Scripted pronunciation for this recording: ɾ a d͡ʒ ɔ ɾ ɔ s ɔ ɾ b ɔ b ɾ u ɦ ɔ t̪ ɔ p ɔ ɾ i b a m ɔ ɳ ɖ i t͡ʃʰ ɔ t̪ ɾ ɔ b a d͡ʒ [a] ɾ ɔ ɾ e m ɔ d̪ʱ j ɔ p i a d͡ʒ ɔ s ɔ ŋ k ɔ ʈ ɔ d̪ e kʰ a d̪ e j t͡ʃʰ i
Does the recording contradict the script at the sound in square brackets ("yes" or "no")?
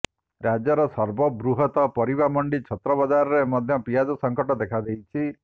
no